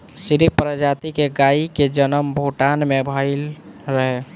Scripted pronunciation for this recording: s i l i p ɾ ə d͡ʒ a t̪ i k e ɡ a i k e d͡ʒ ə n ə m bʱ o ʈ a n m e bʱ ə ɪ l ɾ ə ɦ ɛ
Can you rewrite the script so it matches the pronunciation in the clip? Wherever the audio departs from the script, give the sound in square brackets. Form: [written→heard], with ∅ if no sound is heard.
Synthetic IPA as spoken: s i [l→ɾ] i p ɾ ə d͡ʒ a t̪ i k e ɡ a i k e d͡ʒ ə n ə m bʱ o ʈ a n m e bʱ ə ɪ l ɾ ə ɦ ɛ